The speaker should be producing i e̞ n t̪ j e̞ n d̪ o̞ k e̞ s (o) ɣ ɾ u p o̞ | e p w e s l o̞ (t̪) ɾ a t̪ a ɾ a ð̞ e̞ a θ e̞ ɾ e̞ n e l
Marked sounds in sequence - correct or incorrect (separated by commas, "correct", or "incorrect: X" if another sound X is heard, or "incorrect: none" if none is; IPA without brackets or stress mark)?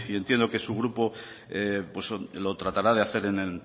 incorrect: u, correct